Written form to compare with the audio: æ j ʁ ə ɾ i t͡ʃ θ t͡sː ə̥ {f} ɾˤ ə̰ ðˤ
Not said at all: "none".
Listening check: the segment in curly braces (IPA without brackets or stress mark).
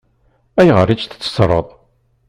s